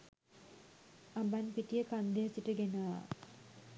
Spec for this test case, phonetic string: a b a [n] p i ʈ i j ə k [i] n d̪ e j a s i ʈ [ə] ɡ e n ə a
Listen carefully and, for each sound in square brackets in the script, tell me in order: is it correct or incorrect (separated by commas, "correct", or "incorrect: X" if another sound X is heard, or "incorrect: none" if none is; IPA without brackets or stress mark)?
correct, incorrect: a, correct